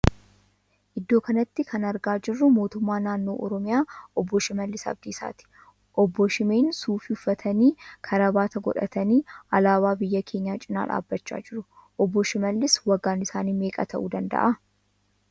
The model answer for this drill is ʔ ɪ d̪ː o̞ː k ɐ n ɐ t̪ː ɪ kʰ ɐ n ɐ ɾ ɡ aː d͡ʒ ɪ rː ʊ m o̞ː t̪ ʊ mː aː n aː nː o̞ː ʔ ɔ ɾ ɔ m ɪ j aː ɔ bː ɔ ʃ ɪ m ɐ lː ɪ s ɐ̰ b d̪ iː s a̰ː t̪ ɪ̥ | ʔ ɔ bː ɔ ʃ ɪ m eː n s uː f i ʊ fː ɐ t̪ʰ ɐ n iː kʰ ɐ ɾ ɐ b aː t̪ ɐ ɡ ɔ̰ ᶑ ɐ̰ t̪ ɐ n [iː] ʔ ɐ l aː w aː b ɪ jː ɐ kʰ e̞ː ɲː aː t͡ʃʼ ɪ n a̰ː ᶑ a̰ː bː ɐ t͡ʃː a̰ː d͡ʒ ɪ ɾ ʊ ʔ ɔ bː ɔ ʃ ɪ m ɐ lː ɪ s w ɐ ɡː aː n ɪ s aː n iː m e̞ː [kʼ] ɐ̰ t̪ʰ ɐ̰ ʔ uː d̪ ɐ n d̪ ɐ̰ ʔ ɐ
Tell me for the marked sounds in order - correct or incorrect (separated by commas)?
correct, correct